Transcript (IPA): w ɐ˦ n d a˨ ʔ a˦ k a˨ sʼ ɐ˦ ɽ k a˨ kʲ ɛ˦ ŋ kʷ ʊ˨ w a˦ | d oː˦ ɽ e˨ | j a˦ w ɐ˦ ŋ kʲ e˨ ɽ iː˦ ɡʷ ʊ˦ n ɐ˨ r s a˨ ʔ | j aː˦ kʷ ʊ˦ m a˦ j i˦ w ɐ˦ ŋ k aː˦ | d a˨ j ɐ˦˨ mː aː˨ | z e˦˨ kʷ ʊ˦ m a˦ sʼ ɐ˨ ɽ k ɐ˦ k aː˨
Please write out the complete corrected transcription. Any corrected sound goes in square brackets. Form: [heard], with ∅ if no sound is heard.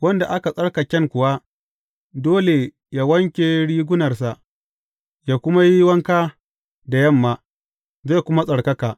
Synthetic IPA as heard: w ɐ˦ n d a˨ ʔ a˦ k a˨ sʼ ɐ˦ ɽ k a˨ kʲ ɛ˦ ŋ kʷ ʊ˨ w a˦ | d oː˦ [l] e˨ | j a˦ w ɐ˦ ŋ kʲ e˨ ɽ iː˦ ɡʷ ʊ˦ n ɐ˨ r s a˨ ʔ | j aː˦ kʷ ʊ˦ m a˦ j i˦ w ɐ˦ ŋ k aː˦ | d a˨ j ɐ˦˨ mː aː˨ | z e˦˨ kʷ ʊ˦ m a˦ sʼ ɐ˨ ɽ k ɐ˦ k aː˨